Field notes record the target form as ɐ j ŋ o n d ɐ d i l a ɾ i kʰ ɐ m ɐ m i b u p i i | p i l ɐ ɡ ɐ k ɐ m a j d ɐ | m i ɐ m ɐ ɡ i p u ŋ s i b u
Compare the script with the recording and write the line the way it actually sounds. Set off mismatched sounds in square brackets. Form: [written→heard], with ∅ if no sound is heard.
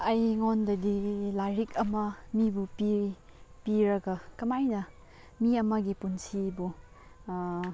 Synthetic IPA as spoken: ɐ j ŋ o n d ɐ d i l a ɾ i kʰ ɐ m ɐ m i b u p i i | p i [l→ɾ] ɐ ɡ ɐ k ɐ m a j [d→n] ɐ | m i ɐ m ɐ ɡ i p u [ŋ→n] s i b u